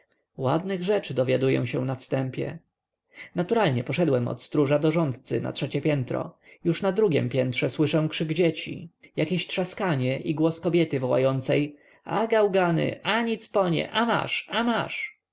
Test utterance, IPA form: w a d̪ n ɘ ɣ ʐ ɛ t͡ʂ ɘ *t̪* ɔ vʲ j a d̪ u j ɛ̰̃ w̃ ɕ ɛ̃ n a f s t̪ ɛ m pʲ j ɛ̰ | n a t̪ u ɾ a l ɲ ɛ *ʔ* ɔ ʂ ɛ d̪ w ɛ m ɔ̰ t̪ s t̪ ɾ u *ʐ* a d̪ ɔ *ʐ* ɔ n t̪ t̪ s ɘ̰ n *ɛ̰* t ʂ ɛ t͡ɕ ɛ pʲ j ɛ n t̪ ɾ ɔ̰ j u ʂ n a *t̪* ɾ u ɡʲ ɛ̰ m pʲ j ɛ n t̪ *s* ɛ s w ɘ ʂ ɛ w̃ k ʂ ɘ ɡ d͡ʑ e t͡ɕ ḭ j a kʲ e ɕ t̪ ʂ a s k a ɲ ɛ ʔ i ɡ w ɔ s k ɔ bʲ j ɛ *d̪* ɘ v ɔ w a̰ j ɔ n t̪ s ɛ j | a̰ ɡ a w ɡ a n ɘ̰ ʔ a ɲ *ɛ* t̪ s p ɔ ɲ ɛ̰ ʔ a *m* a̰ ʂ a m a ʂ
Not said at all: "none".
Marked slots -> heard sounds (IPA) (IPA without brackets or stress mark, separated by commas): d̪, p, ʐ, ʐ, a̰, d̪, ʂ, t̪, i, m